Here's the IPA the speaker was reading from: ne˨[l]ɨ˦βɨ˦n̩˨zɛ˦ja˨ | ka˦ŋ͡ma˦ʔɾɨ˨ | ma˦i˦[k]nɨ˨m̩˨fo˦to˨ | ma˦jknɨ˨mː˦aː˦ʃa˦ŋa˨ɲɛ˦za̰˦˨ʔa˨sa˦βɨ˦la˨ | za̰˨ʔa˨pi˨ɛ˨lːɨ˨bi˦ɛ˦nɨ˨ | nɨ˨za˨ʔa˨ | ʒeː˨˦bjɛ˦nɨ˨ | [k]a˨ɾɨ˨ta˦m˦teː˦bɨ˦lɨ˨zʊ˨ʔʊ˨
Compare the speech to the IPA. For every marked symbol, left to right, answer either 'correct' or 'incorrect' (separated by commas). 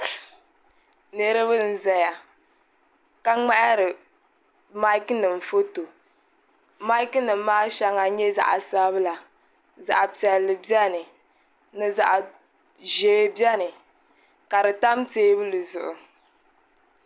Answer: incorrect, correct, correct